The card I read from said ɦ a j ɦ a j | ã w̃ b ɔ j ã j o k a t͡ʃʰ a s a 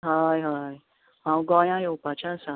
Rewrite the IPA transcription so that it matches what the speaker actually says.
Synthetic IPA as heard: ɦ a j ɦ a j | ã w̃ ɡ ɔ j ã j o p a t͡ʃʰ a s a